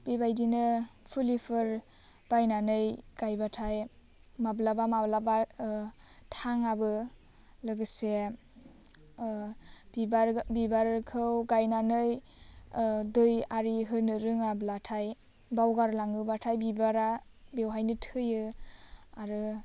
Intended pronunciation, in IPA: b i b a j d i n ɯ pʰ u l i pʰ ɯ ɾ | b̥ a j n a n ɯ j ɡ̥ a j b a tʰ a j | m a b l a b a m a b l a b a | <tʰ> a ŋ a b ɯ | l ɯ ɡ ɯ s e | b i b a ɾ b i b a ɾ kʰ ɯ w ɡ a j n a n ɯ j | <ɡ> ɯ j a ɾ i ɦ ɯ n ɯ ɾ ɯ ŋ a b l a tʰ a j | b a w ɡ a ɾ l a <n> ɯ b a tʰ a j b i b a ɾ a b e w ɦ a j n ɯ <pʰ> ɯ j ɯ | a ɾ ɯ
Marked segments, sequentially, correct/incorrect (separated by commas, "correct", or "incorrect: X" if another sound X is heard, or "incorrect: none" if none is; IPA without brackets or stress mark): correct, incorrect: d, incorrect: ŋ, incorrect: tʰ